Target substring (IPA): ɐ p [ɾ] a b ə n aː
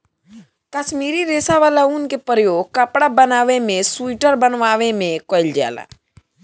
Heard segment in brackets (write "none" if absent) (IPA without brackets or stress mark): ɽ